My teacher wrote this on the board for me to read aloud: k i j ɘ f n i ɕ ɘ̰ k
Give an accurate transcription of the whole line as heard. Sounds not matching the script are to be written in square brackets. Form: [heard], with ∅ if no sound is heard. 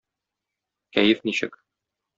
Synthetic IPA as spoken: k [æ] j ɘ f n i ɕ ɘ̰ k